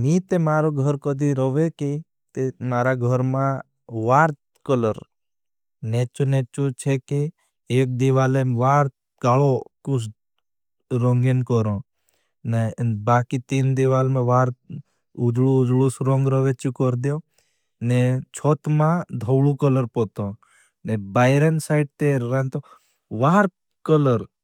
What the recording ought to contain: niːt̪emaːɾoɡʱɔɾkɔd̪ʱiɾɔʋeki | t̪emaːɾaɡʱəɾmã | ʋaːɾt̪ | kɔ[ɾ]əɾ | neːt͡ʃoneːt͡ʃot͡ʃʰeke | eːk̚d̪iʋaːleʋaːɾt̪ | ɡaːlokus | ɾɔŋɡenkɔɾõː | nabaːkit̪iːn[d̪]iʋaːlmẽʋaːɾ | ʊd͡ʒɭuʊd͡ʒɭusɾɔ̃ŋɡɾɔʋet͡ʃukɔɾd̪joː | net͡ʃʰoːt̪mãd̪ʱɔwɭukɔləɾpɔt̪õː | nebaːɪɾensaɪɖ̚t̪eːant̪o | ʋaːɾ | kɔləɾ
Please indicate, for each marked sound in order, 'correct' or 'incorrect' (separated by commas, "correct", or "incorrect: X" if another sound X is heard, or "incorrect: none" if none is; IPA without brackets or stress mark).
incorrect: l, correct